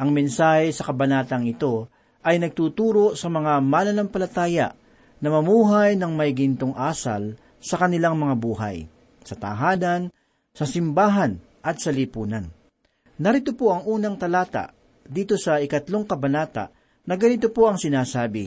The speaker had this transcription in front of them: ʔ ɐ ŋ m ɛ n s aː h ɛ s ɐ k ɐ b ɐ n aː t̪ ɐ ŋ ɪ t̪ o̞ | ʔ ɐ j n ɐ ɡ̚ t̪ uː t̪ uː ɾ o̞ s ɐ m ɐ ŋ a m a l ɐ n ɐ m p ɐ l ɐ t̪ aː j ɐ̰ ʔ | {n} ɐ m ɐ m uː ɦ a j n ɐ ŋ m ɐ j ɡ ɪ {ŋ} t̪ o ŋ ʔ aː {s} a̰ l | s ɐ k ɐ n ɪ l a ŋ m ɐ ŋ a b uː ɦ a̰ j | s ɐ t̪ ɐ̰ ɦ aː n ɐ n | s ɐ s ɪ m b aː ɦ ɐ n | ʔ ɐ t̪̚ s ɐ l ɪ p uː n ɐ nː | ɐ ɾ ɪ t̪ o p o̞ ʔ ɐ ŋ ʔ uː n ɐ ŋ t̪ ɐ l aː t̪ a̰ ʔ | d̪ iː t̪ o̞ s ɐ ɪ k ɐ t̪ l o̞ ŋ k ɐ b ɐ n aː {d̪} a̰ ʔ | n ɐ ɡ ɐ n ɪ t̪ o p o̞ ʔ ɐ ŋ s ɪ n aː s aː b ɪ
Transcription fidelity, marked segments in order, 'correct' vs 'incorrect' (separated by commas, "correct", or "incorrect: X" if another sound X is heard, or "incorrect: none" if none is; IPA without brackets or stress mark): correct, incorrect: n, correct, incorrect: t̪